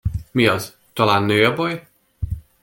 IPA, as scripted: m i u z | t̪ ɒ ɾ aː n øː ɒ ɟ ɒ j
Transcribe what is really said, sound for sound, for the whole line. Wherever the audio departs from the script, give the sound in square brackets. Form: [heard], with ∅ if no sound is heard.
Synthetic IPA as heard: m i [ɒ] z | t̪ ɒ [l] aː [nː] øː ɒ [b] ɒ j